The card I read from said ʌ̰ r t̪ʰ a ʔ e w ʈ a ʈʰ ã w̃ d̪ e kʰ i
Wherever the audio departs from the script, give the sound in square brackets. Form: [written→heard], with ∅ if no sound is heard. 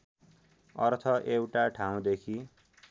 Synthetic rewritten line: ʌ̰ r t̪ʰ [a→ʌ] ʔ e w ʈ a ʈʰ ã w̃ d̪ e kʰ i

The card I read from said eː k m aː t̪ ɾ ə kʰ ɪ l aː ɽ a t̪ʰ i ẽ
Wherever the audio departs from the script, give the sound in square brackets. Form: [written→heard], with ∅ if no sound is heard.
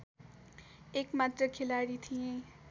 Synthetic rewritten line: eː k m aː t̪ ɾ ə kʰ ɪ l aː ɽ [a→i] t̪ʰ i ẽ

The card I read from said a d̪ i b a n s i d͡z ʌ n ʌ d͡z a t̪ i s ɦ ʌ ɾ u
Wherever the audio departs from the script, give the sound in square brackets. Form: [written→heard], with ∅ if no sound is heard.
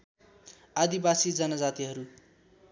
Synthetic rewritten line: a d̪ i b a [n→∅] s i d͡z ʌ n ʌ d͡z a t̪ i [s→∅] ɦ ʌ ɾ u

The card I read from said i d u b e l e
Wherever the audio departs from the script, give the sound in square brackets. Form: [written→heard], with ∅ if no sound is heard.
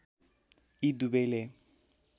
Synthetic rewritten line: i d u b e l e

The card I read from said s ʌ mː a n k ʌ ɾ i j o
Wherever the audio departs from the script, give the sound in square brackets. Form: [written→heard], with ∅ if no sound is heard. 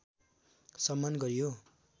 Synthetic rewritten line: s ʌ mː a n [k→ɡ] ʌ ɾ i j o

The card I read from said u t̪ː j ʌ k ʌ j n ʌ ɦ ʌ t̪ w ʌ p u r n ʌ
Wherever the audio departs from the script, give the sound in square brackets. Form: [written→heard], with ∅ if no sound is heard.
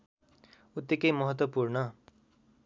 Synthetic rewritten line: u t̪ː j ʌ k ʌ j [n→m] ʌ ɦ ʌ t̪ w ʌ p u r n ʌ

